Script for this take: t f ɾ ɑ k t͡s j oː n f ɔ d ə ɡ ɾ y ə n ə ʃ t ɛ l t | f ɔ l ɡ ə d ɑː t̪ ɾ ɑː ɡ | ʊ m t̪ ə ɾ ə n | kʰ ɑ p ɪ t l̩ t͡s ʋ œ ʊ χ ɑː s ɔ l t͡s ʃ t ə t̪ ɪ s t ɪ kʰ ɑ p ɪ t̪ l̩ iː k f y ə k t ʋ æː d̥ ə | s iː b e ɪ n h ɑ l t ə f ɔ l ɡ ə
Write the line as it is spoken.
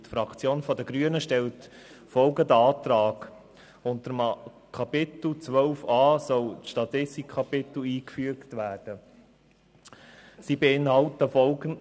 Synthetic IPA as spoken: t f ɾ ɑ k t͡s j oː n f ɔ d ə ɡ ɾ y ə n ə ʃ t ɛ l t | f ɔ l ɡ ə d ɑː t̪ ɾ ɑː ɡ | ʊ n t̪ ə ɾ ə m | kʰ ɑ p ɪ t l̩ t͡s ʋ œ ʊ f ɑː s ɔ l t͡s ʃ t ɑ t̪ ɪ s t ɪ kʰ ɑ p ɪ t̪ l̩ iː k f y ə k t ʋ æː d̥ ə | s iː b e ɪ n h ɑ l t ə f ɔ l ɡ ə